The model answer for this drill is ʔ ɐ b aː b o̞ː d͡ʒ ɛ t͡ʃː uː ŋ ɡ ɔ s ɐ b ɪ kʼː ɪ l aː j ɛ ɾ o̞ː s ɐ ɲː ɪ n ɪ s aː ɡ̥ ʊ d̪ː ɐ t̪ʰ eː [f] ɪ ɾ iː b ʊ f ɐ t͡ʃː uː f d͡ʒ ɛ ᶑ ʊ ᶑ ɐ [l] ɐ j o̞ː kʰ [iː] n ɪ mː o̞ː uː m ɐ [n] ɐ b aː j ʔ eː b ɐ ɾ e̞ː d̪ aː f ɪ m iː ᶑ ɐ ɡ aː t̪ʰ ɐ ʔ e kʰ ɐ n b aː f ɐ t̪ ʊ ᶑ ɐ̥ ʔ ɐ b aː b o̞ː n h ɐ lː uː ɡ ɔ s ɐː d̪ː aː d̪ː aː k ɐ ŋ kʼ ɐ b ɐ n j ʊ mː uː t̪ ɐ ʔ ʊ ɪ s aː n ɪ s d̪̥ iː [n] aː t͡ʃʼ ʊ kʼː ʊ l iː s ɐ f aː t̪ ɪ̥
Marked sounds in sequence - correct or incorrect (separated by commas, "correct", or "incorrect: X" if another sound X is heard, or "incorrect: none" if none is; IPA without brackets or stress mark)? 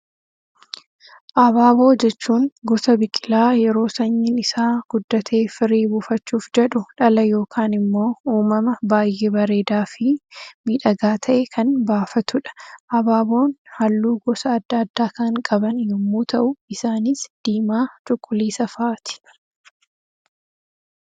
correct, correct, incorrect: aː, incorrect: m, incorrect: m